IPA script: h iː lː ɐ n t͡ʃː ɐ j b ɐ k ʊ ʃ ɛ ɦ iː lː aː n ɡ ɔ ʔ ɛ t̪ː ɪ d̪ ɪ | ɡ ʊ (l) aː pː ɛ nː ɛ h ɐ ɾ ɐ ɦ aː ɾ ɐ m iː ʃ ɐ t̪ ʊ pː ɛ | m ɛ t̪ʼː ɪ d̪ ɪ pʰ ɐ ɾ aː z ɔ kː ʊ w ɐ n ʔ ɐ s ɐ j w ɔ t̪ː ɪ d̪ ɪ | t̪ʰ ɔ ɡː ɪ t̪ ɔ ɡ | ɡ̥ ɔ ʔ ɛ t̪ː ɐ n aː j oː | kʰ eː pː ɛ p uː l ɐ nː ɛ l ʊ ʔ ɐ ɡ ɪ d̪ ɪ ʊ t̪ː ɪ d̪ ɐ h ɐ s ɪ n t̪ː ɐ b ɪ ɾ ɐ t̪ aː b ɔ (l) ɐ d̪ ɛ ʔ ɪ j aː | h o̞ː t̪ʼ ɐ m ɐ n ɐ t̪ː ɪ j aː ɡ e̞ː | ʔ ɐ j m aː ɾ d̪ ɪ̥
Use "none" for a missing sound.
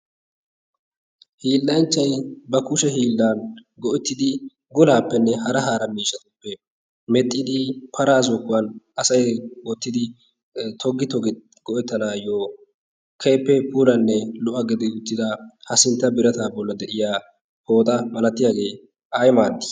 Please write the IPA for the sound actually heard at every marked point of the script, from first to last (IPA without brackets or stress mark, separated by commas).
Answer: l, lː